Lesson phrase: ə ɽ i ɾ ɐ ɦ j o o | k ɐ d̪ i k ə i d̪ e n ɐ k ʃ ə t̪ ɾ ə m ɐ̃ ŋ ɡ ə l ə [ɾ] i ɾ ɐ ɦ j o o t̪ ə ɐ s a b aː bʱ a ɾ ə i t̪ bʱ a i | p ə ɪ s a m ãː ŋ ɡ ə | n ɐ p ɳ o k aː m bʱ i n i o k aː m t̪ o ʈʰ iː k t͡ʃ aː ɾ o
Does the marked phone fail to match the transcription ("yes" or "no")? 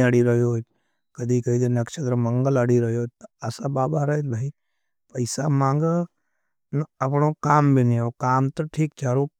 yes